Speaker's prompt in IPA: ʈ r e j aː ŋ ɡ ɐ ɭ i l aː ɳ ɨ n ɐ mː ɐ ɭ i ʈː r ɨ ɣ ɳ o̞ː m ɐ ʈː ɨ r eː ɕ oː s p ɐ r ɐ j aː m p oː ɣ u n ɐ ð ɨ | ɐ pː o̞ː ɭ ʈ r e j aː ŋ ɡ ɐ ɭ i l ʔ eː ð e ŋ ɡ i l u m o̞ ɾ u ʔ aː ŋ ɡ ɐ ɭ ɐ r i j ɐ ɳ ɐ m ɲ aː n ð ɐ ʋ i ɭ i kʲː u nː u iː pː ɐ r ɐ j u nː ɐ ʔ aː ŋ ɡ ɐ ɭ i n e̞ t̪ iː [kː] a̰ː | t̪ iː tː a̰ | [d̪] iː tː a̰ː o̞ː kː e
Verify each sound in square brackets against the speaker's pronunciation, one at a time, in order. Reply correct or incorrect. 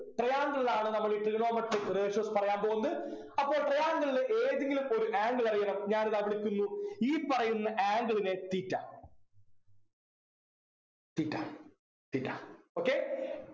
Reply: incorrect, incorrect

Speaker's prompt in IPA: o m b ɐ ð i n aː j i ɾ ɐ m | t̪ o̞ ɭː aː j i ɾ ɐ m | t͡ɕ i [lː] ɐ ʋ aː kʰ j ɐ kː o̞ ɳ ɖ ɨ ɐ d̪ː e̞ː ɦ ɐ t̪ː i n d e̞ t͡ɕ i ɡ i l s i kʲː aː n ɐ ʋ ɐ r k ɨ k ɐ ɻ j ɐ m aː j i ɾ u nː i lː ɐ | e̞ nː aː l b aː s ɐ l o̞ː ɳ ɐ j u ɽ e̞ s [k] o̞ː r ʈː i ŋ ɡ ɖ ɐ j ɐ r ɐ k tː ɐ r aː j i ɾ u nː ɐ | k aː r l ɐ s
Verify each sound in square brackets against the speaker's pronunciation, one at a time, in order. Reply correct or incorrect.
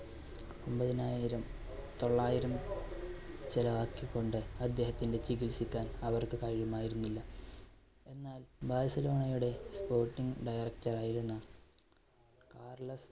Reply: incorrect, incorrect

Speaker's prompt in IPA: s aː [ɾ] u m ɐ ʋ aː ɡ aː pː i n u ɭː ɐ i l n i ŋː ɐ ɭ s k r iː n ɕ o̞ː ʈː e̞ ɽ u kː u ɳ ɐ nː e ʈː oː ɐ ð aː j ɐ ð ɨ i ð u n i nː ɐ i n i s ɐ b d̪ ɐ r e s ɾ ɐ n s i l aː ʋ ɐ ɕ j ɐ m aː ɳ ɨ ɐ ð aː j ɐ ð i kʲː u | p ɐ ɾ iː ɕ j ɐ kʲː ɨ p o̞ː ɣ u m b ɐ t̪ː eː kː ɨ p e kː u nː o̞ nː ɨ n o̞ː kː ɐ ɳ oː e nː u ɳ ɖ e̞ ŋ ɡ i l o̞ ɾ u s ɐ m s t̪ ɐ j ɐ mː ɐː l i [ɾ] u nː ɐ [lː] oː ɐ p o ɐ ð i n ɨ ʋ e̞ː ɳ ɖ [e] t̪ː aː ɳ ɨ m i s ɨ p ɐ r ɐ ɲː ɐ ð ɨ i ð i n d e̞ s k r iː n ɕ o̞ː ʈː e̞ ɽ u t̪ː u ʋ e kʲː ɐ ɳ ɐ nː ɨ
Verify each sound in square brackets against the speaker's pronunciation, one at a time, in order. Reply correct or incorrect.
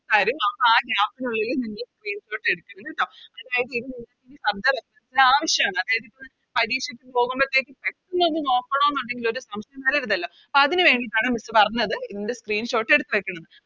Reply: correct, correct, correct, incorrect

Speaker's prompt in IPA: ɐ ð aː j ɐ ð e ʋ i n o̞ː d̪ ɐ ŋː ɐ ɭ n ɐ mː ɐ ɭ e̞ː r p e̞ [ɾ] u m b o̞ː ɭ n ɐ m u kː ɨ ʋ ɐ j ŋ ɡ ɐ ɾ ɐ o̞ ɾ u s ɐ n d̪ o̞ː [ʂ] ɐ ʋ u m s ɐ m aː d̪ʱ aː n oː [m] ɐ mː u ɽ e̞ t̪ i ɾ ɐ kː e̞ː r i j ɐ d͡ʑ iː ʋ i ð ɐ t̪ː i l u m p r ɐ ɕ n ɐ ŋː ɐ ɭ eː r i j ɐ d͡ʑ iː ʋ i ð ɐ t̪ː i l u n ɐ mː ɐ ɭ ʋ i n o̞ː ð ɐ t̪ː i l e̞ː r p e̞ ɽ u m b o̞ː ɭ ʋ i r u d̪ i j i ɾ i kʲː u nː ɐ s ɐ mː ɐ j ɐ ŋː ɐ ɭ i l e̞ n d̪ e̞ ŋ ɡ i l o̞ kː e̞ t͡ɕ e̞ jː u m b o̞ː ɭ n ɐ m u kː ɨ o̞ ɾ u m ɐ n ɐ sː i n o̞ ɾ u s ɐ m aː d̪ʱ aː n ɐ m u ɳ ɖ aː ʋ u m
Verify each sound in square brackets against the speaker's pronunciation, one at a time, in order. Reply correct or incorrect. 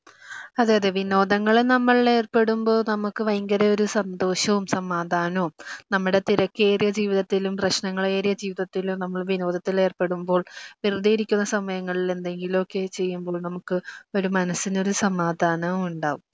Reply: incorrect, incorrect, incorrect

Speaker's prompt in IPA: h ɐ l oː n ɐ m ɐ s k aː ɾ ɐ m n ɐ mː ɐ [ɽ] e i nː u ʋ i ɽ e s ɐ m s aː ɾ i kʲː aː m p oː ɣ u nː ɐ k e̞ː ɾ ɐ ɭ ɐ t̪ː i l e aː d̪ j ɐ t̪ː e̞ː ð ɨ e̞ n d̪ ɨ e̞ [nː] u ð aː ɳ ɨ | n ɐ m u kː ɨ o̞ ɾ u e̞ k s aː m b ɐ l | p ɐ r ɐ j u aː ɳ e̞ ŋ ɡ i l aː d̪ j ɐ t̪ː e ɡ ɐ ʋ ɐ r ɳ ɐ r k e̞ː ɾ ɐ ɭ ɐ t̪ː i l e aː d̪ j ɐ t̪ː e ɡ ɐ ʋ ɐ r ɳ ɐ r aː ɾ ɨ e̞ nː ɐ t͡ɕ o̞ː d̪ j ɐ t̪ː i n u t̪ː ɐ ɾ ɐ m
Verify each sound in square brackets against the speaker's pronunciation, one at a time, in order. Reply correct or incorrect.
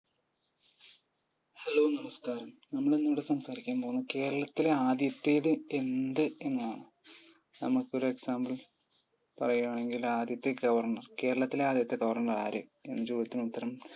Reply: incorrect, correct

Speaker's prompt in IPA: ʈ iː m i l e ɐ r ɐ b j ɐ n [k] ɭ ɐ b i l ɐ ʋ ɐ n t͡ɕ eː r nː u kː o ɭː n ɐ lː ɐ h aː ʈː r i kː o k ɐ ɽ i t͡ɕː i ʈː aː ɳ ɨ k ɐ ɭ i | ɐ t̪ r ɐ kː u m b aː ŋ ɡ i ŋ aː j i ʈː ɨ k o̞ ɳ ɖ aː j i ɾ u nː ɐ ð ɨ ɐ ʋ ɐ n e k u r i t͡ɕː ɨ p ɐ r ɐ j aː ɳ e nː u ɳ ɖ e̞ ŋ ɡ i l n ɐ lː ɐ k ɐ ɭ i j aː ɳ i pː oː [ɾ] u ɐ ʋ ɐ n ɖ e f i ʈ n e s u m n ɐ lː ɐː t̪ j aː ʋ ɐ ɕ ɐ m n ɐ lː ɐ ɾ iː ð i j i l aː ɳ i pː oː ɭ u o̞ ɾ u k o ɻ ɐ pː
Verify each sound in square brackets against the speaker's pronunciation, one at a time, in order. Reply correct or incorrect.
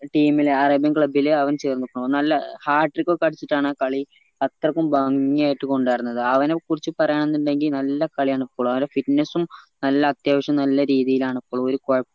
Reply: correct, incorrect

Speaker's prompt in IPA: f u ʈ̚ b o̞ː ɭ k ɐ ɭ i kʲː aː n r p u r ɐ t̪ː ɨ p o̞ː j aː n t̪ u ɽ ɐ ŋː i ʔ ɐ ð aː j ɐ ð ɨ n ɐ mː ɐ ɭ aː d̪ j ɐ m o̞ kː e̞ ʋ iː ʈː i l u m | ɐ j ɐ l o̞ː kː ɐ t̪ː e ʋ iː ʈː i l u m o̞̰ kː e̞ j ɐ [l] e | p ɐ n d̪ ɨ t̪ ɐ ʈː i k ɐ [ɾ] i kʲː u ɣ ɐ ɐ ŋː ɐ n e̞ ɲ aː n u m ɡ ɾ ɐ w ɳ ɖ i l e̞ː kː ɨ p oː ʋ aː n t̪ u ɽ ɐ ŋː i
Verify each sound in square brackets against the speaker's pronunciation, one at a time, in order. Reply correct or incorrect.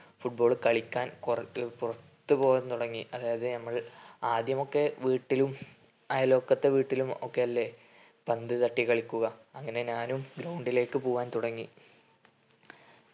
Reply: incorrect, incorrect

